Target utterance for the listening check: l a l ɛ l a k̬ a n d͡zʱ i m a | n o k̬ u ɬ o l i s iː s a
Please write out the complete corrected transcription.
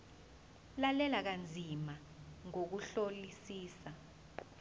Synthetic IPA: l a l ɛ l a k̬ a n d͡zʱ i m a | ŋ o k̬ u ɬ o l i s iː s a